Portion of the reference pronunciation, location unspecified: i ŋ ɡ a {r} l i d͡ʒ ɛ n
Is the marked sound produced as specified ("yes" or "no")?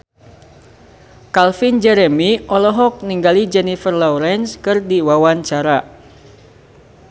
no